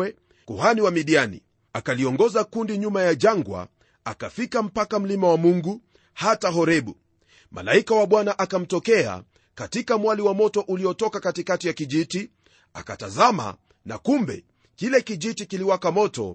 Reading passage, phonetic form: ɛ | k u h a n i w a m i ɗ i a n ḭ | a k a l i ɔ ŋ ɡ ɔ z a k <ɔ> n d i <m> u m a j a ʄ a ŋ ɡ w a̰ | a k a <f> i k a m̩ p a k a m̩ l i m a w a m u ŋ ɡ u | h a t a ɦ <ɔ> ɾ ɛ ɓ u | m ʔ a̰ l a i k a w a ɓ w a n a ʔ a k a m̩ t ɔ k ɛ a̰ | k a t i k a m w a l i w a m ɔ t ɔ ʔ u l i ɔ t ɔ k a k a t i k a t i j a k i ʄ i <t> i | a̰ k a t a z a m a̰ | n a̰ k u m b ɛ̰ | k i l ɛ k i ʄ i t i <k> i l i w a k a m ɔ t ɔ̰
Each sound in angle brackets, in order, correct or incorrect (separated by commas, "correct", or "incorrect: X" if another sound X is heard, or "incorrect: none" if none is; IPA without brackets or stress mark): incorrect: u, incorrect: ɲ, correct, correct, correct, correct